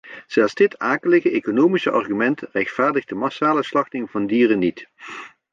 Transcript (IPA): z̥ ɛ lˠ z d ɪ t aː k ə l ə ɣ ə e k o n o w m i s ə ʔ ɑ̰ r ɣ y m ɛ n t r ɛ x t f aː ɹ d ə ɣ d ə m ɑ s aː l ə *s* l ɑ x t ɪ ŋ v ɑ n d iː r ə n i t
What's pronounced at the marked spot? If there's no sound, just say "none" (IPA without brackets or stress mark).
s